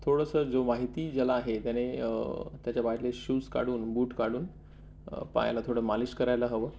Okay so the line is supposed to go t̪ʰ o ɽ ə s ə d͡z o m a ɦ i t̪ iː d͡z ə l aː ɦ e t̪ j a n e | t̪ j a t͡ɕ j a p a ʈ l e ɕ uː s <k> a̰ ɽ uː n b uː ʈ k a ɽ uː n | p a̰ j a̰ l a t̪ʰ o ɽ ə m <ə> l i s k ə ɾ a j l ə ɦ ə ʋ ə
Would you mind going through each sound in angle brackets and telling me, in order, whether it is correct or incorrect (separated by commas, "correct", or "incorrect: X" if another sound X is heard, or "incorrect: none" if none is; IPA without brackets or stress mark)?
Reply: correct, incorrect: a